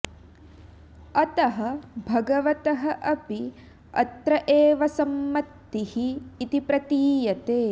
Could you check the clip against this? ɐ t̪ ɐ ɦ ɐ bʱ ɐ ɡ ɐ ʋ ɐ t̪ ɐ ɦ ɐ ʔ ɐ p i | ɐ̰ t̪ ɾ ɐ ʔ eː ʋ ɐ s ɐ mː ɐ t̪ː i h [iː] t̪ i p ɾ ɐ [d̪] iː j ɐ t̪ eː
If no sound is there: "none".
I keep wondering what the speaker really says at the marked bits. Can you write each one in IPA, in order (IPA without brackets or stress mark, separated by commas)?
iː, t̪